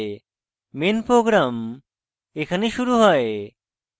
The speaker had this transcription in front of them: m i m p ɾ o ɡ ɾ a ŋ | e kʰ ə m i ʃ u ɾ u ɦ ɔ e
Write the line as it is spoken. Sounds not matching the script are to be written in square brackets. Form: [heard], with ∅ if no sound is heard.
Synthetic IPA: m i [n] p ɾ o ɡ ɾ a [m] | e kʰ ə [n] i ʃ u ɾ u ɦ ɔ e